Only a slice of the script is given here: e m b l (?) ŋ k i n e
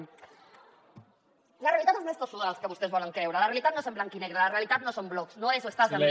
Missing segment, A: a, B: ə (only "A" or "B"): A